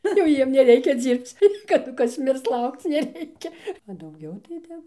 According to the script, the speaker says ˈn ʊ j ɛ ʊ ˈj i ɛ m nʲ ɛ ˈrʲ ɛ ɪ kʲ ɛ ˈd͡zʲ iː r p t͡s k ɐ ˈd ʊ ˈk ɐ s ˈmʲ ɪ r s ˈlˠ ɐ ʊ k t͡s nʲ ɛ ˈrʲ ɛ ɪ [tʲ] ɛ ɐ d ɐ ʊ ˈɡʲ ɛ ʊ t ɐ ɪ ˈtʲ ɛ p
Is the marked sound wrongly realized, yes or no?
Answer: yes